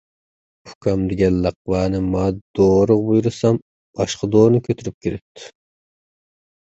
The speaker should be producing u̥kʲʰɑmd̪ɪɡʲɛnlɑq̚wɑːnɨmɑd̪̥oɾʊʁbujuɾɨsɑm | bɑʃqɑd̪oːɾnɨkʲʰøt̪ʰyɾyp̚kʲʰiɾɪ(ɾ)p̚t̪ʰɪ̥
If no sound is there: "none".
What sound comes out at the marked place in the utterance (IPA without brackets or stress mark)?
none